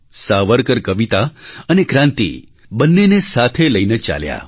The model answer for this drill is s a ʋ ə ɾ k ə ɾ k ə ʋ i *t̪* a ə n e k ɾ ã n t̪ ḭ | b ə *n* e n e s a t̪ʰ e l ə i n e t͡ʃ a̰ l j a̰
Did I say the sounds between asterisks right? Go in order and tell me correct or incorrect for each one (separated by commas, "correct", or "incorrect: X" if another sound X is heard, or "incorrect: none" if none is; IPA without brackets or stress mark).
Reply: correct, incorrect: nː